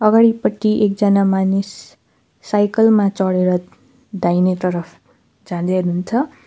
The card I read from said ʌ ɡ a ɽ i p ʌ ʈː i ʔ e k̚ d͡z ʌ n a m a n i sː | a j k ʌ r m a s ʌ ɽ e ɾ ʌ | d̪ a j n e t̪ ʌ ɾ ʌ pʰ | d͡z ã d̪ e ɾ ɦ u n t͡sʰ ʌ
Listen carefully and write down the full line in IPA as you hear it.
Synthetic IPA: ʌ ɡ a ɽ i p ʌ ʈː i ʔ e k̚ d͡z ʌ n a m a n i sː | a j k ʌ l m a t͡s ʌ ɽ e ɾ ʌ | d̪ a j n e t̪ ʌ ɾ ʌ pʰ | d͡z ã d̪ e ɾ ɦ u n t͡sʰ ʌ